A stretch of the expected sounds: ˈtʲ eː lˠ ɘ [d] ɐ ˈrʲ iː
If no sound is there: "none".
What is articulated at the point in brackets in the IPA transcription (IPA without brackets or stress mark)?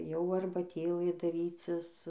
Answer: d